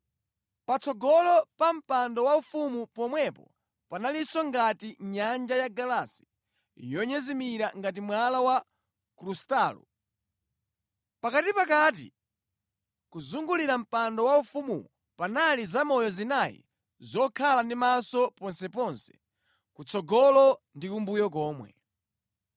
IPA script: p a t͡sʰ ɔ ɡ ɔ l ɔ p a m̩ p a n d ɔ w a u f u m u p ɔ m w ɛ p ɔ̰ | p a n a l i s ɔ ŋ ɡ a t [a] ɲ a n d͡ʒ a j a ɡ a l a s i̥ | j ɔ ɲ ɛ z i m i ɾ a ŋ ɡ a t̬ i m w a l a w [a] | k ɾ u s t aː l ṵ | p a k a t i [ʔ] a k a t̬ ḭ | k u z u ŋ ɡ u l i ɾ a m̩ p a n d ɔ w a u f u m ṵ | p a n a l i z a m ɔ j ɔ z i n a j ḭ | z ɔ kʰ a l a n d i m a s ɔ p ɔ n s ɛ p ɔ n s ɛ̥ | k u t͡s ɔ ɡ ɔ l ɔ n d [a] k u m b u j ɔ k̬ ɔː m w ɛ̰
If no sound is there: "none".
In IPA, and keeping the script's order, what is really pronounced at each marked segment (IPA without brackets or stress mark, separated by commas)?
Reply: i, a, p, i